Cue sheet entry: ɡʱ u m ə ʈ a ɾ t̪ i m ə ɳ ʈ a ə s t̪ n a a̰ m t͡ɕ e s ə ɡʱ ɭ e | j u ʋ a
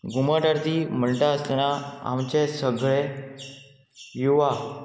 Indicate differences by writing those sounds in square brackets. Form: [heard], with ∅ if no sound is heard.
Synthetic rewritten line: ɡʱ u m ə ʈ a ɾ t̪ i m ə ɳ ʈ a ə s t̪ n a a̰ m t͡ɕ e s ə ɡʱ ɭ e | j u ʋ a